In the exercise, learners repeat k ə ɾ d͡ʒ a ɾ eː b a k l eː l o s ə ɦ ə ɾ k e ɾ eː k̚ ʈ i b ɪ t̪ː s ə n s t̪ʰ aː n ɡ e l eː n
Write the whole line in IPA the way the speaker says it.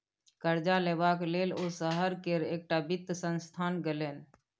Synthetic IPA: k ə ɾ d͡ʒ a l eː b a k l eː l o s ə ɦ ə ɾ k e ɾ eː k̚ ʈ a b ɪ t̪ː s ə n s t̪ʰ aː n ɡ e l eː n